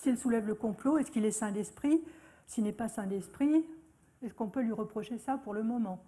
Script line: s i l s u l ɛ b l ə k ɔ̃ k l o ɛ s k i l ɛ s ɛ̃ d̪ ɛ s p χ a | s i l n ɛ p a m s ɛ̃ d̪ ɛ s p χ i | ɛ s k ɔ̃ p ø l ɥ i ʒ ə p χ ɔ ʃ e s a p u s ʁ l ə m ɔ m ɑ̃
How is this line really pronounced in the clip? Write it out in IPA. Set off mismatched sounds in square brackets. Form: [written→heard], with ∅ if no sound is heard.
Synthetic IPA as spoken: s i l s u l ɛ [b→v] l ə k ɔ̃ [k→p] l o ɛ s k i l ɛ s ɛ̃ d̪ ɛ s p χ [a→i] | s i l n ɛ p a [m→∅] s ɛ̃ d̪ ɛ s p χ i | ɛ s k ɔ̃ p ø l ɥ i [ʒ→ʁ] ə p χ ɔ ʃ e s a p u [s→∅] ʁ l ə m ɔ m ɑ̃